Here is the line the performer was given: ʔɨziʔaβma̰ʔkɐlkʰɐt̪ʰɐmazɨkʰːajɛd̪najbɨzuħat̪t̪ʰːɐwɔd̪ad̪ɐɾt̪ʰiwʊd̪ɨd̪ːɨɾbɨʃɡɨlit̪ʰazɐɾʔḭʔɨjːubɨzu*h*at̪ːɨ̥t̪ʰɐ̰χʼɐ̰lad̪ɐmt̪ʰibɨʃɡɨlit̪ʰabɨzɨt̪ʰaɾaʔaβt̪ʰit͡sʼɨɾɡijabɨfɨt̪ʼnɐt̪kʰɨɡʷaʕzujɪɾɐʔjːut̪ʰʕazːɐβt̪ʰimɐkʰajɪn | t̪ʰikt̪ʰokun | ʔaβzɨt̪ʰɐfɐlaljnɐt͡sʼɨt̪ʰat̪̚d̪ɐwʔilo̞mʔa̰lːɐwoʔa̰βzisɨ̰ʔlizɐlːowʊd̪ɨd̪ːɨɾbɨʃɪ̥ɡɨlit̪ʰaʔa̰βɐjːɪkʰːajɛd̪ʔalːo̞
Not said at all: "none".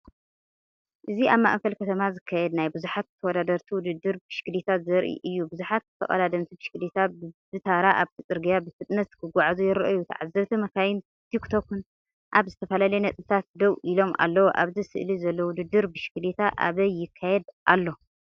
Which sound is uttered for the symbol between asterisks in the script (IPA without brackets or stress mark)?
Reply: ħ